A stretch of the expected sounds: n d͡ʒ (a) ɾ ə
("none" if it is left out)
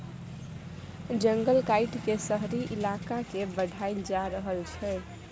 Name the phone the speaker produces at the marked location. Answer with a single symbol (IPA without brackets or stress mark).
a